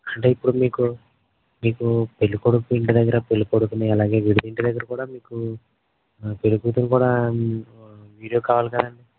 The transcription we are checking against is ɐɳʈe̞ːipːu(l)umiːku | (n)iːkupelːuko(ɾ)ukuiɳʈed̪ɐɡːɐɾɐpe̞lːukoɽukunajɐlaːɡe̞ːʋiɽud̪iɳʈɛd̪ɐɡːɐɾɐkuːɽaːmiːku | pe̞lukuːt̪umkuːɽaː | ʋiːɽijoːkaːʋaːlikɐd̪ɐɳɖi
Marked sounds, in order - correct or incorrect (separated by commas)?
incorrect, incorrect, incorrect